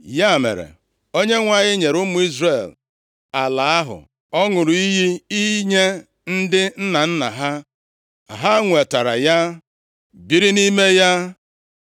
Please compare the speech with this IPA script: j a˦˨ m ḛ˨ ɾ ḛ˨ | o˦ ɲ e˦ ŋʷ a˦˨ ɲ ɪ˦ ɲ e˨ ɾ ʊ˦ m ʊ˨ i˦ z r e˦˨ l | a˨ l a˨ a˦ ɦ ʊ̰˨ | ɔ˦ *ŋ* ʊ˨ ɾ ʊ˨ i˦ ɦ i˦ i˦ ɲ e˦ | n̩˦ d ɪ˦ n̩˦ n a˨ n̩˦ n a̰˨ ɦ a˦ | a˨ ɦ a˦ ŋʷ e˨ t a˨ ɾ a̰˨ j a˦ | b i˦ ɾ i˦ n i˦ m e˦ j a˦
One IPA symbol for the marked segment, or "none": ŋ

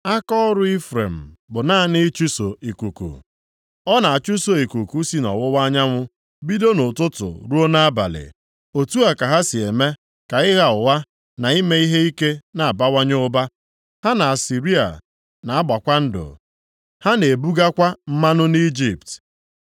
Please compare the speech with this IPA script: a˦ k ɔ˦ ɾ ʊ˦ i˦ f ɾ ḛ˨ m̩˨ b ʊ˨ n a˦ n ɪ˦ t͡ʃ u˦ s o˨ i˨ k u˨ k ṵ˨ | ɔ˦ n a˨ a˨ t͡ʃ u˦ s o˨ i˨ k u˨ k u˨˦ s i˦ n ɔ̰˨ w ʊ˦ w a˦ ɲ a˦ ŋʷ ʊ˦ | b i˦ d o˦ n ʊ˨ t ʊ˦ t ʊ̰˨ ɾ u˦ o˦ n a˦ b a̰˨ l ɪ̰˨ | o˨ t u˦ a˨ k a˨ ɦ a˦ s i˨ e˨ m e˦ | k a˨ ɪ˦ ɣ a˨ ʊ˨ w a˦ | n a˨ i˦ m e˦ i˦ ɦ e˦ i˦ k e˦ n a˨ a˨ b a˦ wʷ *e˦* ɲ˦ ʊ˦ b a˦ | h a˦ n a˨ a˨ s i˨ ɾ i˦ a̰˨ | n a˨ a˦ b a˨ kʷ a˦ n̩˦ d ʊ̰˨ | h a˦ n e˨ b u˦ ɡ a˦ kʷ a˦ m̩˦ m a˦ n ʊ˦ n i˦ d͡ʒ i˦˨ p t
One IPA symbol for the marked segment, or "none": a˦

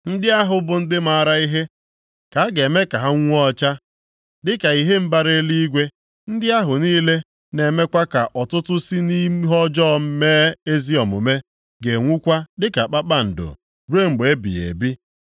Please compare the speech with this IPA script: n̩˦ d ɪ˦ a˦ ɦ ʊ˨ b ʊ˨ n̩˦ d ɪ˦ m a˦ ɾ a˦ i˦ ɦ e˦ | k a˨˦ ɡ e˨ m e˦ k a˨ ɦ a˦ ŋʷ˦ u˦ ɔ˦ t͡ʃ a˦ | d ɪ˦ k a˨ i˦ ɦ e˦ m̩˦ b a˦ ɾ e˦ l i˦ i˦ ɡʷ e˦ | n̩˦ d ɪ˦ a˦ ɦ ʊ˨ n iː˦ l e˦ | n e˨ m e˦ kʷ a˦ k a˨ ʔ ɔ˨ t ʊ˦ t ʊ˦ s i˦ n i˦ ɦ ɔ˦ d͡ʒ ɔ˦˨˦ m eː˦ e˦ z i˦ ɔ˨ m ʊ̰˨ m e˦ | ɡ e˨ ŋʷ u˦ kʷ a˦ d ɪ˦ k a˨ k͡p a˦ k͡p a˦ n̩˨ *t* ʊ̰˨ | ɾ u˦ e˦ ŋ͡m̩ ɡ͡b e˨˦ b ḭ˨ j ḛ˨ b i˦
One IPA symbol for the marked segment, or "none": d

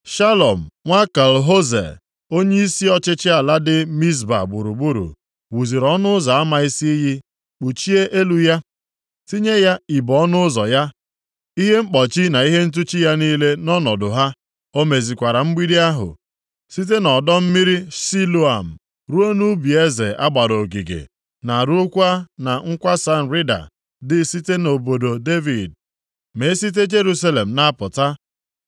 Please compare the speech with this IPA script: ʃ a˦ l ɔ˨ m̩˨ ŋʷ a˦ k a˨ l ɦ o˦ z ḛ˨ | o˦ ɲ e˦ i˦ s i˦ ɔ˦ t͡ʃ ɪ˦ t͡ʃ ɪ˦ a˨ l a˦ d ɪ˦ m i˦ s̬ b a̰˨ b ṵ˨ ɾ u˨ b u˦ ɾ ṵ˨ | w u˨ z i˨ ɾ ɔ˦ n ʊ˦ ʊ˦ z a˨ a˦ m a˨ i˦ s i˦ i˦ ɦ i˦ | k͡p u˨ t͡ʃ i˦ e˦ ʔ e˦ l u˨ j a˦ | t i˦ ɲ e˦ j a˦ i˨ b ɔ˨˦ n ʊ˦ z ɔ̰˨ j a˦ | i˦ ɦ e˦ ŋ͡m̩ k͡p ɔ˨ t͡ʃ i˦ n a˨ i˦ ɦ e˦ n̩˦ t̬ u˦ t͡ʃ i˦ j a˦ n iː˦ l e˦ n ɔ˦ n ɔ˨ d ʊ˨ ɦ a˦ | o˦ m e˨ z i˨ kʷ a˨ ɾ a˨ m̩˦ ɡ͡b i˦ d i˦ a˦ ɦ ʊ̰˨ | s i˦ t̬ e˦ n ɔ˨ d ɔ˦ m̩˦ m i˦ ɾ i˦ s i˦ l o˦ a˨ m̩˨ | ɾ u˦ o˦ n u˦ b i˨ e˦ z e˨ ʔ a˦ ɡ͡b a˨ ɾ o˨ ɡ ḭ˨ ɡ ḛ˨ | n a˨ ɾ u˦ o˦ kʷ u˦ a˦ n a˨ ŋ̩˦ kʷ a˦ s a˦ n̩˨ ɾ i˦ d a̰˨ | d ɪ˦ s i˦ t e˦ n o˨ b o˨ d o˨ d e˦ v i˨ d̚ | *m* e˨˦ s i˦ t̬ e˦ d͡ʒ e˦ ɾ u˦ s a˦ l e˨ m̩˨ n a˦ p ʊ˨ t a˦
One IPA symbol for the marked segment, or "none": m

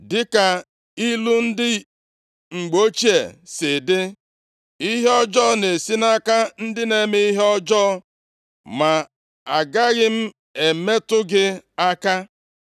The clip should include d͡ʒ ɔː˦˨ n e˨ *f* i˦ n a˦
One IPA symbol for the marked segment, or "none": s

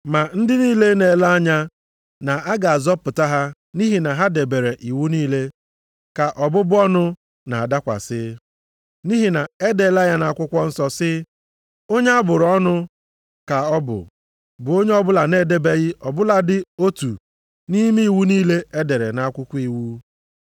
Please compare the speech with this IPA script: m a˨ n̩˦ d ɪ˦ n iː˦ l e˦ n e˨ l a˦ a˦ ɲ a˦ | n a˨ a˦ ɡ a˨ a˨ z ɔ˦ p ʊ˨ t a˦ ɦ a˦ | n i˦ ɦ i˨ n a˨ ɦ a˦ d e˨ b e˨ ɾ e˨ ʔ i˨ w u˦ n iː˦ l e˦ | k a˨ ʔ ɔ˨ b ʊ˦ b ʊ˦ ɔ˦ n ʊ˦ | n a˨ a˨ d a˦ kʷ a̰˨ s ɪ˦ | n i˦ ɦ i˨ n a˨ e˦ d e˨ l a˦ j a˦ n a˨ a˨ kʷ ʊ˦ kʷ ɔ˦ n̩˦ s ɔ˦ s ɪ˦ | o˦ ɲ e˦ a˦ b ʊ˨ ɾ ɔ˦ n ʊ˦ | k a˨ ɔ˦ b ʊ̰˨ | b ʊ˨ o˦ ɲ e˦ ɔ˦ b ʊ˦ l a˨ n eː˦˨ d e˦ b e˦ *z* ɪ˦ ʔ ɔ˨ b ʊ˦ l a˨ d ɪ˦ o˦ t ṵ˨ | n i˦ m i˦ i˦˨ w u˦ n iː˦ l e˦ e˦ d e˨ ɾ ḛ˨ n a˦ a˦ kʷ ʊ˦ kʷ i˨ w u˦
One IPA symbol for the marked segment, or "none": ɣ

